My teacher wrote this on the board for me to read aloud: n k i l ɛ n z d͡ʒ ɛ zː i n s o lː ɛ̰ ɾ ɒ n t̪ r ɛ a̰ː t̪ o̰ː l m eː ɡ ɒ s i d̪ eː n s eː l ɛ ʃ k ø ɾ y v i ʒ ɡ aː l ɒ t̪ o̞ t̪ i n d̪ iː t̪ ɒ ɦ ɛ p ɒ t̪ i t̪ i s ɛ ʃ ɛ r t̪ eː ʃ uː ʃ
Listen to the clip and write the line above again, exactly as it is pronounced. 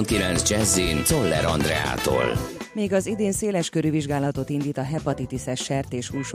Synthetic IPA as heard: n k i l ɛ n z d͡ʒ ɛ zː i n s o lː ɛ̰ ɾ ɒ n d̪ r ɛ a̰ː t̪ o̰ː l m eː ɡ ɒ z i d̪ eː n s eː l ɛ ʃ k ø ɾ y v i ʒ ɡ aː l ɒ t̪ o̞ t̪ i n d̪ iː t̪ ɒ ɦ ɛ p ɒ t̪ i t̪ i s ɛ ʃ ɛ r t̪ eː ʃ uː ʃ